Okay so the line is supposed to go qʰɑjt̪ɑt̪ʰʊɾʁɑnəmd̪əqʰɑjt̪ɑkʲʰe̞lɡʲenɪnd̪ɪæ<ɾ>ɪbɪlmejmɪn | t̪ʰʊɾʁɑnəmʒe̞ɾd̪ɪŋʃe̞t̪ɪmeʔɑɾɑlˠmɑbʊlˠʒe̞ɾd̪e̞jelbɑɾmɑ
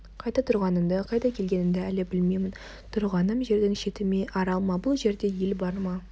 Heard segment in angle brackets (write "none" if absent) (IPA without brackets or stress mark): l